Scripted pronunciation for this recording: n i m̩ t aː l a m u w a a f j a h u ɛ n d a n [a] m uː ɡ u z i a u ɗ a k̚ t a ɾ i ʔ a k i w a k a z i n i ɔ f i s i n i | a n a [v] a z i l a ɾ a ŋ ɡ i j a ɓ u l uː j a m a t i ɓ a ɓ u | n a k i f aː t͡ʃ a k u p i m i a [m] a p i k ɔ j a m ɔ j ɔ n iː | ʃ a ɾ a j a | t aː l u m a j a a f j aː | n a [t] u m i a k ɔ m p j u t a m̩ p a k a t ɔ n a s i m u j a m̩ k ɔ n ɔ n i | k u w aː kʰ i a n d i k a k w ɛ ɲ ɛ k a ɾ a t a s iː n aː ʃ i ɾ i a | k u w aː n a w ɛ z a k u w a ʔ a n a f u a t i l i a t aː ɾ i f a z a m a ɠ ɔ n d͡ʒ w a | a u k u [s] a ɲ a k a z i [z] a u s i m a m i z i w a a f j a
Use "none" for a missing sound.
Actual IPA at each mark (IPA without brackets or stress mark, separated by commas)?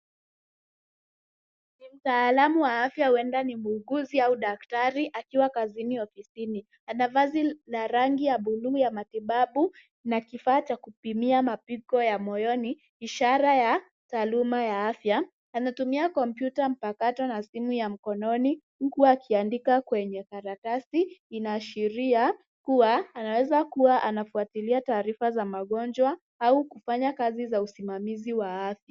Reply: i, v, m, t, f, z